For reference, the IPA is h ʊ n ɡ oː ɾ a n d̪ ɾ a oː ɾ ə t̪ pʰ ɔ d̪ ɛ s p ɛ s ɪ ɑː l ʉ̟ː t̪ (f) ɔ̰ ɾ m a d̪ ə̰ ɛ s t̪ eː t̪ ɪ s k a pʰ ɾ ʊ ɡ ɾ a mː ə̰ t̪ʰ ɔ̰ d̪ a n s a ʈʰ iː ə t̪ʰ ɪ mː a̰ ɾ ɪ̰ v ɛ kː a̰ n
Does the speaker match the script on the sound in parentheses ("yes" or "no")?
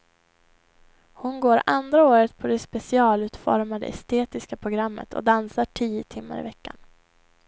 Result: yes